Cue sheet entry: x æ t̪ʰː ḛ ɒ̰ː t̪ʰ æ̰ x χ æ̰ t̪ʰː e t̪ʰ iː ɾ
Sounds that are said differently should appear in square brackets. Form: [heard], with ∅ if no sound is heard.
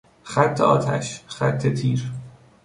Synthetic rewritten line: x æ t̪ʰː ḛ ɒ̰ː t̪ʰ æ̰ [ʃ] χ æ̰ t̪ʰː e t̪ʰ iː ɾ

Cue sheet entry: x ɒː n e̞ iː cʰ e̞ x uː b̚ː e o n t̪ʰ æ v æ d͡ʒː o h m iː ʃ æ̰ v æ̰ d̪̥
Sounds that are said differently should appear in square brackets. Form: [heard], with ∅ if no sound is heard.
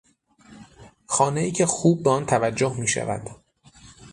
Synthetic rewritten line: x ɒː n e̞ iː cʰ e̞ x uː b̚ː e [ɒ] n t̪ʰ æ v æ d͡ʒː o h m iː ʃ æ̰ v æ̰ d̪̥

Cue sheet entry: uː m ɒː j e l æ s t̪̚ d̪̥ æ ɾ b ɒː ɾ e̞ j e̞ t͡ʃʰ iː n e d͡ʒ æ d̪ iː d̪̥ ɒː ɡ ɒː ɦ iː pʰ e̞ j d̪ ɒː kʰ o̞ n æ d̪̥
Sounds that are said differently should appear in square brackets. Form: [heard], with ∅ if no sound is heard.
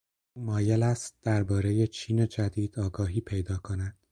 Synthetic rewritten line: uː m ɒː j e l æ s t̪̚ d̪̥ æ ɾ b ɒː ɾ e̞ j e̞ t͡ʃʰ iː n e d͡ʒ æ d̪ iː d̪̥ ɒː ɡ ɒː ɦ iː pʰ e̞ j d̪ ɒː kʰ o̞ n æ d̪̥

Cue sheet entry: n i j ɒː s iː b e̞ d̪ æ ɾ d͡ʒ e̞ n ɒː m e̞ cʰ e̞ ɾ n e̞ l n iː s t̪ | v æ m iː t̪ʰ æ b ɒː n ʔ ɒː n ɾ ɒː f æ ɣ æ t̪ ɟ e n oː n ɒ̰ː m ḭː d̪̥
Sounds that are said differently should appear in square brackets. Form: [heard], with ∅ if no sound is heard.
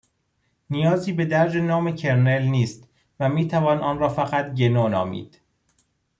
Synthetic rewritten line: n i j ɒː [z] iː b e̞ d̪ æ ɾ d͡ʒ e̞ n ɒː m e̞ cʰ e̞ ɾ n e̞ l n iː s t̪ | v æ m iː t̪ʰ æ [v] ɒː n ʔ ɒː n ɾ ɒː f æ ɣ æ t̪ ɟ e n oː n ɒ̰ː m ḭː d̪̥

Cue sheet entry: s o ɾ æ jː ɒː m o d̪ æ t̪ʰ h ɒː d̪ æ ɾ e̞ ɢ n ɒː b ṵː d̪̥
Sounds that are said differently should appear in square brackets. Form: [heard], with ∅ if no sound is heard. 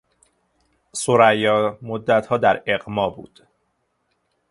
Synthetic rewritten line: s o ɾ æ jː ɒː m o [d̪ː] æ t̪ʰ h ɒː d̪ æ ɾ e̞ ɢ [m] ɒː b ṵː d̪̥

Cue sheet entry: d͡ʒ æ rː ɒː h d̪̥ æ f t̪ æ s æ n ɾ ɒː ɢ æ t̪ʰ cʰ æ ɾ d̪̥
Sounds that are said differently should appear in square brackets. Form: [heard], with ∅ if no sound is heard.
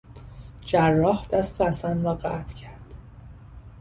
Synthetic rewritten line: d͡ʒ æ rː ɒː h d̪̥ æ [s] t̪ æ s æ n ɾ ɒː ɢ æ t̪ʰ cʰ æ ɾ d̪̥

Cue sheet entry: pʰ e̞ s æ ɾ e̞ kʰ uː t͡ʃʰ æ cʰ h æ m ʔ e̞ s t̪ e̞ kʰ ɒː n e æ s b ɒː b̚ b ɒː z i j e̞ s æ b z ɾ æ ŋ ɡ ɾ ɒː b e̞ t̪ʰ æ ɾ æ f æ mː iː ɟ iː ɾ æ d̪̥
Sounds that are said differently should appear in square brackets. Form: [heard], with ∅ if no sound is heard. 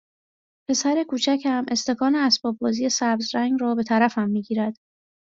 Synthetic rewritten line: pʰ e̞ s æ ɾ e̞ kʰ uː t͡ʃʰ æ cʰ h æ m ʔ e̞ s t̪ e̞ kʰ ɒː n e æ s b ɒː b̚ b ɒː z i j e̞ s æ b z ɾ æ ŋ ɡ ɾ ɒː b e̞ t̪ʰ æ ɾ æ f æ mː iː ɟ iː ɾ æ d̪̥

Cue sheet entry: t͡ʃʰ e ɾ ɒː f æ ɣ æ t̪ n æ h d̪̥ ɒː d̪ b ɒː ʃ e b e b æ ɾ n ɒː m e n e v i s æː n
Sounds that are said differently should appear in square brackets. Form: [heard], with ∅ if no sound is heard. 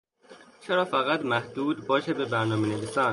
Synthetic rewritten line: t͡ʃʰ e ɾ ɒː f æ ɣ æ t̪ [m] æ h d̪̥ [uː] d̪ b ɒː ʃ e b e b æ ɾ n ɒː m e n e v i s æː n

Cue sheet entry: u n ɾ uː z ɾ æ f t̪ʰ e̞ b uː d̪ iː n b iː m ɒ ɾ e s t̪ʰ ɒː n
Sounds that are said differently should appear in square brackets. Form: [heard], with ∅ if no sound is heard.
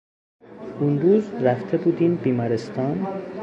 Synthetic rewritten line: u n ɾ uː z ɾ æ f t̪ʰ e̞ b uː d̪ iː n b iː m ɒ ɾ e s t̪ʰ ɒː n

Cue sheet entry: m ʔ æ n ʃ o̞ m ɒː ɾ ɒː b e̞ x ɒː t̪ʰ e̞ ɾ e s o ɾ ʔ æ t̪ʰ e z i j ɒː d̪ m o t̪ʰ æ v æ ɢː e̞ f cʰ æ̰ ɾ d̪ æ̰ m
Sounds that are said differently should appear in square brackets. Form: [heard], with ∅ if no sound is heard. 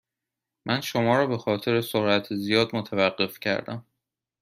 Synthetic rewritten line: m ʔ æ n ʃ o̞ m ɒː ɾ ɒː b e̞ x ɒː t̪ʰ e̞ ɾ e s o ɾ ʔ æ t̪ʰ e z i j ɒː d̪ m o t̪ʰ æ v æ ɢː e̞ f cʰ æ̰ ɾ d̪ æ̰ m

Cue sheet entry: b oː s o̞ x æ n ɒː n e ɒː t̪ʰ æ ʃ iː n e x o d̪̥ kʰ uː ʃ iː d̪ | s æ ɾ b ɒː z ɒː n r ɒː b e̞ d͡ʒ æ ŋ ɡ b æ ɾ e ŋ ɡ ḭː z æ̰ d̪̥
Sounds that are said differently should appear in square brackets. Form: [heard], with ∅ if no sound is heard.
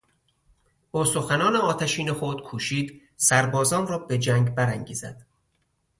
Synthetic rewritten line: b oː s o̞ x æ n ɒː n e ɒː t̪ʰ æ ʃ iː n e x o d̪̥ kʰ uː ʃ iː d̪ | s æ ɾ b ɒː z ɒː n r ɒː b e̞ d͡ʒ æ ŋ ɡ b æ ɾ [æ] ŋ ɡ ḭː z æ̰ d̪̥

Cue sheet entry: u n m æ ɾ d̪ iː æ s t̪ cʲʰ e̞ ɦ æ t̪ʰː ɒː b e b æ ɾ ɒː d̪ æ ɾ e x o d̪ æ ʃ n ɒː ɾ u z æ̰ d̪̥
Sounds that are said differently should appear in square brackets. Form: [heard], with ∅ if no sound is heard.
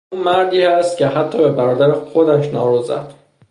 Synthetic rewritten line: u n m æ ɾ d̪ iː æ s t̪ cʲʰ e̞ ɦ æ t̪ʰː ɒː b e b æ ɾ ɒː d̪ æ ɾ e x o d̪ æ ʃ n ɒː ɾ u z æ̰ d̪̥

